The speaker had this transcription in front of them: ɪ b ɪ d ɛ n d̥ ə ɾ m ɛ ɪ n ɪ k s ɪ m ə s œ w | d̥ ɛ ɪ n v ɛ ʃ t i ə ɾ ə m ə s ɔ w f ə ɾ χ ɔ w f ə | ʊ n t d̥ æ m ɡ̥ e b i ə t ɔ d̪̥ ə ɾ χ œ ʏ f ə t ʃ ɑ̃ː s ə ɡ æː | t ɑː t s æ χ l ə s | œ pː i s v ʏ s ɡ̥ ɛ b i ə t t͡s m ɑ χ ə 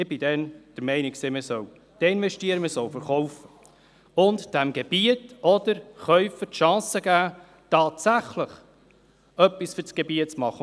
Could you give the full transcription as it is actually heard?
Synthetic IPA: ɪ b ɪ d ɛ n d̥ ə ɾ m ɛ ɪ n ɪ k s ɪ m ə s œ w | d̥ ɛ ɪ n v ɛ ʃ t i ə ɾ ə m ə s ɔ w f ə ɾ χ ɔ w f ə | ʊ n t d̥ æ m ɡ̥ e b i ə t ɔ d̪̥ ə ɾ χ œ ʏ f ə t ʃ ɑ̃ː s ə ɡ æː | t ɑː t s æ χ l ə χ | œ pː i s f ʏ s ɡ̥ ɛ b i ə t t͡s m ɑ χ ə